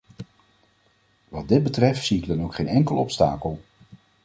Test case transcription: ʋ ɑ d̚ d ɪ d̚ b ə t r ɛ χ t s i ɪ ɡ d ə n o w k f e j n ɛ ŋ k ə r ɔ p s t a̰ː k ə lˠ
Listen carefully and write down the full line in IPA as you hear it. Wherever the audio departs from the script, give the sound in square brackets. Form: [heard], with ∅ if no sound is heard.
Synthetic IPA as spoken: ʋ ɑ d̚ d ɪ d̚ b ə t r ɛ [f] t s i ɪ ɡ d [ɑ] n o w k [χ] e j n ɛ ŋ k ə [l] ɔ p s t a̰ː k ə lˠ